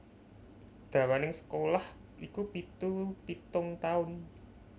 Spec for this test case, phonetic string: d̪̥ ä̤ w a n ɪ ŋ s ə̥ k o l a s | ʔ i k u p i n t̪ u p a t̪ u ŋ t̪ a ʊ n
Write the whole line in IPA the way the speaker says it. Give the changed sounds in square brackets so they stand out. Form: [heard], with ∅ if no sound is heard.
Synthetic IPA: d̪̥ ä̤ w a n ɪ ŋ s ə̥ k o l a [h] | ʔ i k u p i [∅] t̪ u p [i] t̪ [ʊ] ŋ t̪ a ʊ n